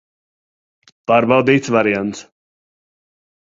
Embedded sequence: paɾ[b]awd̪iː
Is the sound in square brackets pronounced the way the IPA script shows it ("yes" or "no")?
yes